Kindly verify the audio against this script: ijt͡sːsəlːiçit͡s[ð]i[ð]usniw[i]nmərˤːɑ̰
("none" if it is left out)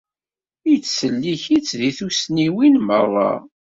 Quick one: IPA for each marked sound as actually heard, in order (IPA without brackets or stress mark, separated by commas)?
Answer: ð, θ, i